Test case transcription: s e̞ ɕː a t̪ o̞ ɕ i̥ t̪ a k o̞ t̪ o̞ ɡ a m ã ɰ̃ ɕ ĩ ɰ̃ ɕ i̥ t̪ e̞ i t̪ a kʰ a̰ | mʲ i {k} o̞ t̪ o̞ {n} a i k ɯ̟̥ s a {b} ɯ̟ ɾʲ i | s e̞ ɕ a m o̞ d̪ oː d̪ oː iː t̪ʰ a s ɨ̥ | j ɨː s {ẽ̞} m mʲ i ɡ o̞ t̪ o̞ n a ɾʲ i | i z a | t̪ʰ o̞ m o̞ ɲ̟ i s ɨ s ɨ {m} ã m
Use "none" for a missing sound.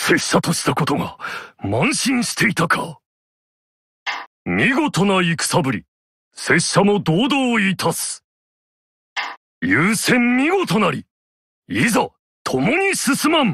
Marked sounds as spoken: ɡ, n, b, ẽ̞, m

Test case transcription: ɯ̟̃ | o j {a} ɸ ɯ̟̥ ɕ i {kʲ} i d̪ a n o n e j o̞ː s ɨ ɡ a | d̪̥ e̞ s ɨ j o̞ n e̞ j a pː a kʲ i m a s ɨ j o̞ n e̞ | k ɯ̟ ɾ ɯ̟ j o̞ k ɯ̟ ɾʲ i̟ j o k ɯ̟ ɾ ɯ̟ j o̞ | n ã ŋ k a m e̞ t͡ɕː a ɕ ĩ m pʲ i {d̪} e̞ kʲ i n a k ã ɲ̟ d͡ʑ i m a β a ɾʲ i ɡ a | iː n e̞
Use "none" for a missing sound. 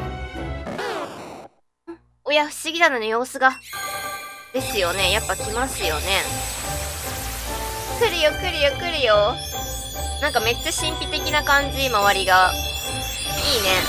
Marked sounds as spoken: a, ɡʲ, t̪

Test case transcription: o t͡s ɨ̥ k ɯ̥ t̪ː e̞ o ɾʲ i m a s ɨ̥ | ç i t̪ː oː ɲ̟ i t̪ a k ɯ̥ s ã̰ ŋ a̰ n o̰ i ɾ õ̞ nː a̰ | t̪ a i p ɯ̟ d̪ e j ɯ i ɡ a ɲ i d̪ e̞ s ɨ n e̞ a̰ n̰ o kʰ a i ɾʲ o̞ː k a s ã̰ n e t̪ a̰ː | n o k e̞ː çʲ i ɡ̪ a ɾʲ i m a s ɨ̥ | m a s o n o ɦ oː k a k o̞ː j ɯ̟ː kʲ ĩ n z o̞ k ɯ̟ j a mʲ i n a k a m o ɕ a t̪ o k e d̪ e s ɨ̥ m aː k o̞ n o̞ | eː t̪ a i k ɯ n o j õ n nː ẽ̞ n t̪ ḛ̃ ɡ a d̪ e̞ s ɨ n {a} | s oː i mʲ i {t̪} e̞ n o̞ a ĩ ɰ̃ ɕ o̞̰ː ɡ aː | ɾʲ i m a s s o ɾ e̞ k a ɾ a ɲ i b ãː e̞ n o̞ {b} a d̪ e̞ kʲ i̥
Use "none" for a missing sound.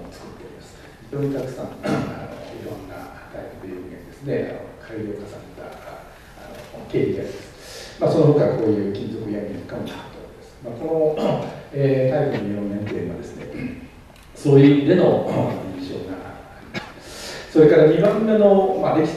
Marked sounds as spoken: e, d̪, m

